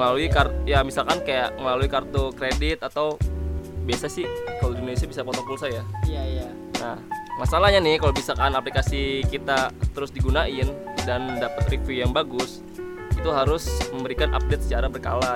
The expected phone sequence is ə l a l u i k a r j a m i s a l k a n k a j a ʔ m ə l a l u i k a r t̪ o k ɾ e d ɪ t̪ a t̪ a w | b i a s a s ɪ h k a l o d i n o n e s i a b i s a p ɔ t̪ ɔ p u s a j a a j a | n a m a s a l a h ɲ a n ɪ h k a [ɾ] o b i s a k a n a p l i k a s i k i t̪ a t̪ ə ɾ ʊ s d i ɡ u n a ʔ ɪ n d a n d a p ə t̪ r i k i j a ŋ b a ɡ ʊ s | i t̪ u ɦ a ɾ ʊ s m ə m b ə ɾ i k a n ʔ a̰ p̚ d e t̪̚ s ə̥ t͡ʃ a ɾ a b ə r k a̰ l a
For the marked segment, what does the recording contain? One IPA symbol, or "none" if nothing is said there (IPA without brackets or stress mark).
l